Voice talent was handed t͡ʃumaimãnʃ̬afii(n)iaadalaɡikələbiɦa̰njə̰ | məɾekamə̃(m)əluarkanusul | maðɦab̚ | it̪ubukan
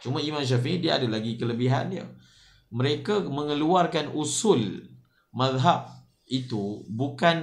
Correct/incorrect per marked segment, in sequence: incorrect: d, incorrect: ŋ

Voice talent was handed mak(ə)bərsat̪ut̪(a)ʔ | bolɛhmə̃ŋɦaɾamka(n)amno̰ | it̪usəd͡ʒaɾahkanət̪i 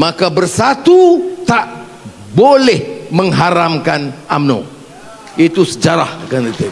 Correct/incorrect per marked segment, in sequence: incorrect: a, correct, correct

